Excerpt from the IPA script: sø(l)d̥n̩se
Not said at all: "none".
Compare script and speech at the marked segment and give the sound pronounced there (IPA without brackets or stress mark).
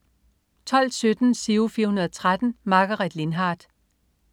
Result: none